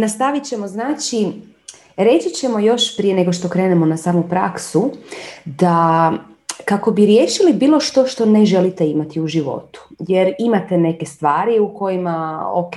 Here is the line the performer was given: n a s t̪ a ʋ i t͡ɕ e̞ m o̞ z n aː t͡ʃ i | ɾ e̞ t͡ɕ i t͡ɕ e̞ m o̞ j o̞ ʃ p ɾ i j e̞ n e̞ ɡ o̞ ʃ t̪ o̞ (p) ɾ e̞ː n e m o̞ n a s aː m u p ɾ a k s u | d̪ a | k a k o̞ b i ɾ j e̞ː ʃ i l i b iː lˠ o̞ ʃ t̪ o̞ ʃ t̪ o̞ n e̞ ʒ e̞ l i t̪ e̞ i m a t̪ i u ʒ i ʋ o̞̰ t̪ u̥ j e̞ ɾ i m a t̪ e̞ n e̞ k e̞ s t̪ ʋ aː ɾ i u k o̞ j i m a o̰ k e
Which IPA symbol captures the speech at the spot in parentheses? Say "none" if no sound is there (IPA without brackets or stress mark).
k